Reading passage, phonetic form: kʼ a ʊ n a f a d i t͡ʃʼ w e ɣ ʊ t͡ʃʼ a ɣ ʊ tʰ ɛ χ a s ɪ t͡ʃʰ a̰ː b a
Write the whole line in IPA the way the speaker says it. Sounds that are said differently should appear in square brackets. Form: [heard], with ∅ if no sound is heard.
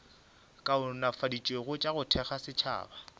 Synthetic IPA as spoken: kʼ a ʊ n a f a d i t͡ʃʼ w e ɣ ʊ t͡ʃʼ a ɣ ʊ tʰ ɛ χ a s ɪ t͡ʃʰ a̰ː b a